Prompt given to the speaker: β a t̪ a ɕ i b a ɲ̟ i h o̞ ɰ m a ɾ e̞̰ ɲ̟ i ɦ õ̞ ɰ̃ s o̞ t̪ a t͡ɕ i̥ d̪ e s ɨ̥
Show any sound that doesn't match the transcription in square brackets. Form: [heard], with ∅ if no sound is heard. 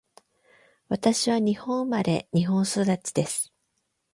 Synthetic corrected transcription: β a t̪ a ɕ i [β] a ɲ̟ i h [õ̞] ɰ m a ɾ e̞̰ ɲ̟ i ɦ õ̞ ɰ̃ s o̞ [d̪] a t͡ɕ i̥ d̪ e s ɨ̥